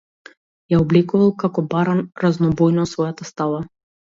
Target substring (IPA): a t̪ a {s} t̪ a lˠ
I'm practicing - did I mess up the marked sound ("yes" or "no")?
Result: no